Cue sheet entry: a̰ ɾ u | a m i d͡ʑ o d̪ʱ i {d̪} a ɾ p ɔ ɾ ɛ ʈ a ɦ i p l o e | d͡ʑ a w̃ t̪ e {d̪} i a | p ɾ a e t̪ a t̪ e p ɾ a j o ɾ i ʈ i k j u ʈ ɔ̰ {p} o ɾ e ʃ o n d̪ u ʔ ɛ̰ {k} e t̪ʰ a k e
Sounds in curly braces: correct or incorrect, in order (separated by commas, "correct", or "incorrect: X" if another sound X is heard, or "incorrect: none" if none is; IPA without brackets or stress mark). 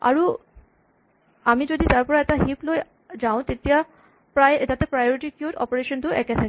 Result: incorrect: t̪, incorrect: t̪, correct, correct